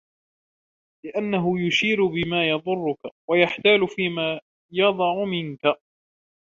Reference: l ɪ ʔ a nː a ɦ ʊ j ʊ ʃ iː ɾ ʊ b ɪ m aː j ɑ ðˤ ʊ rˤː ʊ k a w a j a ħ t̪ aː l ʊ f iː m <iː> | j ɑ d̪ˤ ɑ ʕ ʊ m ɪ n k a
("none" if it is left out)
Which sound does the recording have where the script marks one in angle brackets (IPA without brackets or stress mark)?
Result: aː